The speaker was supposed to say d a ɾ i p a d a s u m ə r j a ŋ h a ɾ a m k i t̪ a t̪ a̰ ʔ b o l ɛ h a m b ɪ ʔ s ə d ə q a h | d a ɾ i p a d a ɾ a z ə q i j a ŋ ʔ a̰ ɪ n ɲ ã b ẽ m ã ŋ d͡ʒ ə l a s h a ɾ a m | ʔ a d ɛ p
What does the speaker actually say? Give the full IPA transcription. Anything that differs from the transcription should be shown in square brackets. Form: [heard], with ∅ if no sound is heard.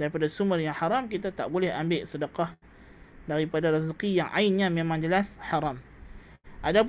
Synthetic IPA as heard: d a ɾ i p a d a s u m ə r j a ŋ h a ɾ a m k i t̪ a t̪ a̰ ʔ b o l ɛ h a m b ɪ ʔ s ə d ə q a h | d a ɾ i p a d a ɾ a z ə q i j a ŋ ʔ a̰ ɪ n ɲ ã [m] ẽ m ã ŋ d͡ʒ ə l a s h a ɾ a m | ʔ a d [a] p